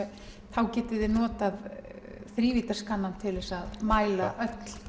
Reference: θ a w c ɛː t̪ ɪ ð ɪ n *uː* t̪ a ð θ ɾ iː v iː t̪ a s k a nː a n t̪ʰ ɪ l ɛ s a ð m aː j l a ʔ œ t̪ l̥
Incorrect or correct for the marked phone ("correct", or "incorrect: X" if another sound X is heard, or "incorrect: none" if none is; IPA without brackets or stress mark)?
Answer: incorrect: ɔː